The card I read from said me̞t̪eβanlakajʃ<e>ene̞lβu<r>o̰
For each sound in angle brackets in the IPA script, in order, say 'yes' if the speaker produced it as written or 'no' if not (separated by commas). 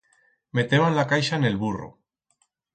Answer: no, yes